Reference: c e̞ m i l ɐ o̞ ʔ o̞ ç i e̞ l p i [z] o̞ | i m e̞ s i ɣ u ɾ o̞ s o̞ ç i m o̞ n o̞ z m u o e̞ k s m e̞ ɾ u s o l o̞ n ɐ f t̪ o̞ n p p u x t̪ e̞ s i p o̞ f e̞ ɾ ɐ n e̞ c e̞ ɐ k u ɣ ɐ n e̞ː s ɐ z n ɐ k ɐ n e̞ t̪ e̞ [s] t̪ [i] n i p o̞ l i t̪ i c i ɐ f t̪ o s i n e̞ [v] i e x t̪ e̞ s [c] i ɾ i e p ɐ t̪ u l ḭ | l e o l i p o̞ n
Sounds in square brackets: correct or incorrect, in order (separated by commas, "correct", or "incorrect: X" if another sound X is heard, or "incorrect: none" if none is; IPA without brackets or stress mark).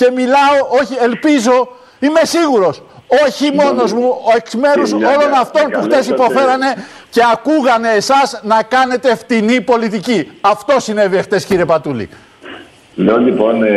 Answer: correct, incorrect: f, correct, correct, correct